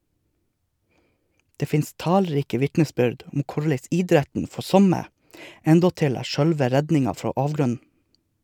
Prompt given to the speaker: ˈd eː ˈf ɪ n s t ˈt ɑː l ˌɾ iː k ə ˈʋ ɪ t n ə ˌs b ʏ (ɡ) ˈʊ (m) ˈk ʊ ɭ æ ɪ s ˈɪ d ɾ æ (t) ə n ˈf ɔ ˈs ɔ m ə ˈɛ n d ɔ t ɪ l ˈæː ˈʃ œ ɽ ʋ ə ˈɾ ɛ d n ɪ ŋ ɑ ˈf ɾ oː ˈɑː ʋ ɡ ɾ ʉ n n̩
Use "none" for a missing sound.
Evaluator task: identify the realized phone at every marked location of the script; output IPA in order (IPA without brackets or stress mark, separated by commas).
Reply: ɖ, m, t